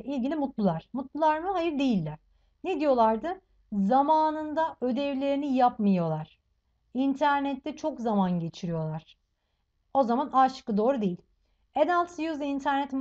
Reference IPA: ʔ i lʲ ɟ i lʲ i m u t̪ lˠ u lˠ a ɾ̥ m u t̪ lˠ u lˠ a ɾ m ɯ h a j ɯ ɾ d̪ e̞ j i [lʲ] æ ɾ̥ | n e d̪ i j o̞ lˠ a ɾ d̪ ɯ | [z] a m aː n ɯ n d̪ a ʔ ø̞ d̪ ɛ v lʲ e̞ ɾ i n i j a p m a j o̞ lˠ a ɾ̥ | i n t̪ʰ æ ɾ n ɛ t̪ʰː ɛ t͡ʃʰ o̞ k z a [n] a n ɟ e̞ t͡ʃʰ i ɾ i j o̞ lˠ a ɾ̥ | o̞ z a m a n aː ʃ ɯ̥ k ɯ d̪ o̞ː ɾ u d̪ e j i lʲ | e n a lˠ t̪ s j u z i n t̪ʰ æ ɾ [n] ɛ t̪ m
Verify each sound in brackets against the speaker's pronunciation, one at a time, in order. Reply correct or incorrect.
incorrect, correct, incorrect, correct

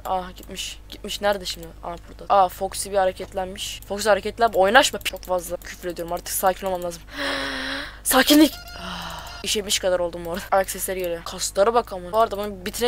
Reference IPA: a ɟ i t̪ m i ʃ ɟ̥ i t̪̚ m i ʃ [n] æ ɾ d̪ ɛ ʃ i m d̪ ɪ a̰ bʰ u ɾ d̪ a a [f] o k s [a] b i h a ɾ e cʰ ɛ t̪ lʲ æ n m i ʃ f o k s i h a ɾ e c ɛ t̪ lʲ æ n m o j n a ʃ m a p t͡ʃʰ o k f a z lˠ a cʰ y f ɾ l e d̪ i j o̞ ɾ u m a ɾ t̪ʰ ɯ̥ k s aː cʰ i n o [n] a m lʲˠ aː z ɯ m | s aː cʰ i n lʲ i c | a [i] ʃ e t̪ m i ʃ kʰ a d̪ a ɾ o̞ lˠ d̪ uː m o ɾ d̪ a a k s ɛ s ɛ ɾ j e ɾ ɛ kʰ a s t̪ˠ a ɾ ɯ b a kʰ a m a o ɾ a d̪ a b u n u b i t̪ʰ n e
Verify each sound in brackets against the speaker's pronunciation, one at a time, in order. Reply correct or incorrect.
correct, correct, incorrect, incorrect, correct

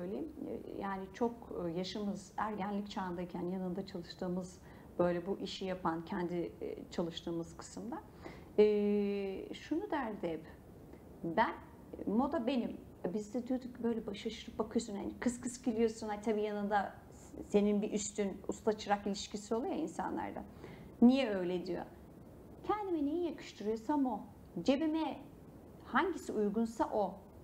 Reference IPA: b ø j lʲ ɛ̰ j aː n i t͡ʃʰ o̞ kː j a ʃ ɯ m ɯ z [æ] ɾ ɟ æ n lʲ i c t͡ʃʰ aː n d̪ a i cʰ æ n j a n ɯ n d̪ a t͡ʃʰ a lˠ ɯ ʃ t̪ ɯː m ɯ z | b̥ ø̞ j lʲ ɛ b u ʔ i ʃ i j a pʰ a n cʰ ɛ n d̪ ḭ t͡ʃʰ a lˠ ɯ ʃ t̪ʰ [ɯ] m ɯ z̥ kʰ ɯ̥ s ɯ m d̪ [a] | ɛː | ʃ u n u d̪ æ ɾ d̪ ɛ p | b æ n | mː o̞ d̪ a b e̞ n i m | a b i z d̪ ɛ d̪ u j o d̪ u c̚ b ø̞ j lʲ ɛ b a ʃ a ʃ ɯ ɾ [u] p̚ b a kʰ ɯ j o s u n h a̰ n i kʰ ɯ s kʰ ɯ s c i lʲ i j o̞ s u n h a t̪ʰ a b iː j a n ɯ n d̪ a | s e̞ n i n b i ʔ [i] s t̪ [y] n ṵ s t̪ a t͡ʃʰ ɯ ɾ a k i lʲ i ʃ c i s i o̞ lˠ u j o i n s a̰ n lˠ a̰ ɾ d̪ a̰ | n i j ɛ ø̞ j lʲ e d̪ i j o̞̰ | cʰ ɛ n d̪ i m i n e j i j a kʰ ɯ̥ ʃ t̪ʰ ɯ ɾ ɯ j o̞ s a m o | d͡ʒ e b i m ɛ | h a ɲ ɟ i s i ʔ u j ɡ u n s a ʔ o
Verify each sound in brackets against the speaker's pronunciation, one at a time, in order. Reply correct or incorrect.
correct, incorrect, correct, incorrect, incorrect, correct

